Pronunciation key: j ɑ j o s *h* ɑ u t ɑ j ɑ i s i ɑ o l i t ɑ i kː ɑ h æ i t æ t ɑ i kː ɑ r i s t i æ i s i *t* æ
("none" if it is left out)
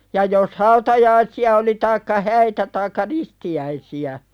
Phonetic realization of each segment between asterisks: h, none

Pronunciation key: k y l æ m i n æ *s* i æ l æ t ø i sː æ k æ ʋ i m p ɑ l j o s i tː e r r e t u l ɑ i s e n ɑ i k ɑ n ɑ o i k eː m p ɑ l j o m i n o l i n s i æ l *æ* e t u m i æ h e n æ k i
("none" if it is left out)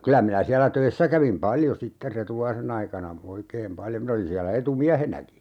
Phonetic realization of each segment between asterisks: s, æ

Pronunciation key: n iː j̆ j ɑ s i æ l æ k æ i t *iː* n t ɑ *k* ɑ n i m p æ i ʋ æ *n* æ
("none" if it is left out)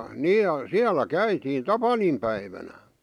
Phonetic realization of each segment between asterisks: iː, p, n

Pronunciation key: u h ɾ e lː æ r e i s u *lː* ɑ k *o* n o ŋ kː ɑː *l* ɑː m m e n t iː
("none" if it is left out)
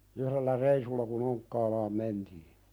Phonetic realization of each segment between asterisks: lː, u, l

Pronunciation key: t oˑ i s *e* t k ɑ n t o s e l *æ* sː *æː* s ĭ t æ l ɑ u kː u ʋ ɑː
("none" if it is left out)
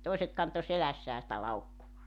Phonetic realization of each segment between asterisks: e, æ, æː

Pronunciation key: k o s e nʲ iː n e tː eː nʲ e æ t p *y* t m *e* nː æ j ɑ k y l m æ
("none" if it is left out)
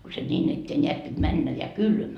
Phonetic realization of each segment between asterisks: i, æ

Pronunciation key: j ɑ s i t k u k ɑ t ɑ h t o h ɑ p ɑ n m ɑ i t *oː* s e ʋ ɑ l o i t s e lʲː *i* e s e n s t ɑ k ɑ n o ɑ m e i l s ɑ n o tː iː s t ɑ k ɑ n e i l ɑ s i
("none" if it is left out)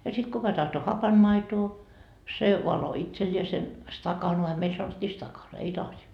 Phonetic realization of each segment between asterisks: oː, i

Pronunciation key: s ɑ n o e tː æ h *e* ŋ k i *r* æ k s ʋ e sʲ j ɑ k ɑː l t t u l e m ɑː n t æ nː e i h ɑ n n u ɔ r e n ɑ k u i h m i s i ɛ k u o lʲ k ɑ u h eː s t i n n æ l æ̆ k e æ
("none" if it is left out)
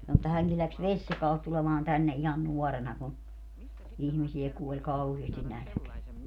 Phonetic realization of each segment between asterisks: æ, l

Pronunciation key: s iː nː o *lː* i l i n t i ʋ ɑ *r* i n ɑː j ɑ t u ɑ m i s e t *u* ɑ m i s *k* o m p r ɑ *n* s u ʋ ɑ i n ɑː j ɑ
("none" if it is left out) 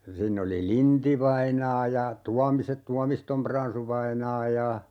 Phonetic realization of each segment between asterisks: l, none, u, t, n

